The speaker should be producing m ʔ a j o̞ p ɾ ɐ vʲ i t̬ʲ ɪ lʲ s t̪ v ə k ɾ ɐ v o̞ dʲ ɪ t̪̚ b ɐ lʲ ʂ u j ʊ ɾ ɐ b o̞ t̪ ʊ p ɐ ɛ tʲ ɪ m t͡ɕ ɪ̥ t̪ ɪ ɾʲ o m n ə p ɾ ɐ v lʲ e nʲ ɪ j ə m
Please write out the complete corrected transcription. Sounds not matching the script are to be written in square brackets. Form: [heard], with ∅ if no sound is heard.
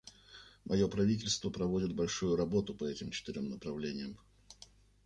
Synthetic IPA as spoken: m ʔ [ɐ] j o̞ p ɾ ɐ vʲ i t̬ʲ ɪ lʲ s t̪ v ə [p] ɾ ɐ v o̞ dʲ ɪ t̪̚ b ɐ lʲ ʂ u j ʊ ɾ ɐ b o̞ t̪ ʊ p ɐ ɛ tʲ ɪ m t͡ɕ ɪ̥ t̪ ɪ ɾʲ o m n ə p ɾ ɐ v lʲ e nʲ ɪ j ə m